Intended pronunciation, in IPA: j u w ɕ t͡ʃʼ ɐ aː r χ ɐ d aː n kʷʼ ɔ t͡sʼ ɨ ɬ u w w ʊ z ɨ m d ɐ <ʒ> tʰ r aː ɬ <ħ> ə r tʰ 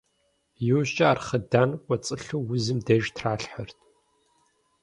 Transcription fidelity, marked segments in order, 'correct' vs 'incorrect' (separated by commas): correct, correct